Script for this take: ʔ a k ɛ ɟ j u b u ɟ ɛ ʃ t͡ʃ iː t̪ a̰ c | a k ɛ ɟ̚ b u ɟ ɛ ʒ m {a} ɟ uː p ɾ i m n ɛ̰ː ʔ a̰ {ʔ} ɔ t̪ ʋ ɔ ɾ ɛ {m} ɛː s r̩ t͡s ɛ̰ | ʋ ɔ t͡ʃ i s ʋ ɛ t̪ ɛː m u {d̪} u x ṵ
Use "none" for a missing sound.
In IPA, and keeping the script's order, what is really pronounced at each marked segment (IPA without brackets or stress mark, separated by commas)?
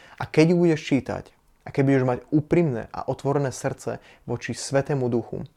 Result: a, ʔ, n, d̪